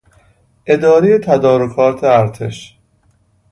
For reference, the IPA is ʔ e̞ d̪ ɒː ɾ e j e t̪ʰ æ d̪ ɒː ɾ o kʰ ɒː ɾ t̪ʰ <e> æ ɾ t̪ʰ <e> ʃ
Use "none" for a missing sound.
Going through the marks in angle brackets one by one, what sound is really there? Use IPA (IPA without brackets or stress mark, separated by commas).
e, e